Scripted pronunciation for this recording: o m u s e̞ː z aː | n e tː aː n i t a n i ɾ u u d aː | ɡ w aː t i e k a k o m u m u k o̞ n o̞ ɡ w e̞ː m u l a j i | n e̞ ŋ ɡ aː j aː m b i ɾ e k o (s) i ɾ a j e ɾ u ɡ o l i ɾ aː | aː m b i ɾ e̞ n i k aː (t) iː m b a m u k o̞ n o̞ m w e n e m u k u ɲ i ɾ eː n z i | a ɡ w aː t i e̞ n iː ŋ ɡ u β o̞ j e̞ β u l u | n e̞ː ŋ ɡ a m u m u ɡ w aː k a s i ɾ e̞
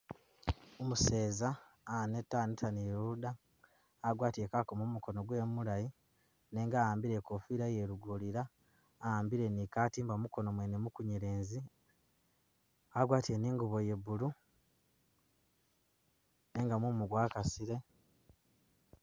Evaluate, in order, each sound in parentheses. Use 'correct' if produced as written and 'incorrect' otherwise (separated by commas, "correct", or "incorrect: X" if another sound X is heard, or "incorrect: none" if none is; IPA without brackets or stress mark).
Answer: incorrect: f, correct